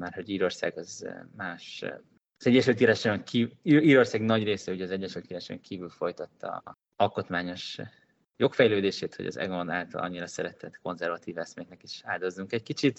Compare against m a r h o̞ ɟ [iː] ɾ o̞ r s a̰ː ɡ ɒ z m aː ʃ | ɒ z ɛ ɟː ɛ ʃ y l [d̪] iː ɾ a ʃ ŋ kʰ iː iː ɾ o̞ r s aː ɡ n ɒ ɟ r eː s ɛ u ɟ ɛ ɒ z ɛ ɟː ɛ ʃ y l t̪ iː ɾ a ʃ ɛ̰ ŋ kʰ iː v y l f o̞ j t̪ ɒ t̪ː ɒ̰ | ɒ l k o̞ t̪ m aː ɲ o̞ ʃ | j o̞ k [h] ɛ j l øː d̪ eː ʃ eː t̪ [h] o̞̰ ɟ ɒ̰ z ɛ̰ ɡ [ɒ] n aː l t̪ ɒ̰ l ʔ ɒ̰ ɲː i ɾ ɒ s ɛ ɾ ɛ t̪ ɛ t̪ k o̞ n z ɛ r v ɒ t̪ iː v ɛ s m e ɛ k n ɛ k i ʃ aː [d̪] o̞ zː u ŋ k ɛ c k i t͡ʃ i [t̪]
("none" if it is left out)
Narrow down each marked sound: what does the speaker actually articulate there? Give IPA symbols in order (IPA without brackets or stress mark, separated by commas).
iː, t̪, f, h, o, d̪, t̪